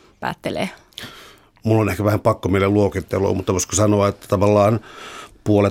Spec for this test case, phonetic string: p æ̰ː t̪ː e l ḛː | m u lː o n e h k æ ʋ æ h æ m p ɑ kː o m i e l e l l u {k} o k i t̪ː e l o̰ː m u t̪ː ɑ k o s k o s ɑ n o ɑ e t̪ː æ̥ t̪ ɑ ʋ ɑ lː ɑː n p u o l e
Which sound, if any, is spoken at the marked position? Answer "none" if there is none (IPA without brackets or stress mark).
none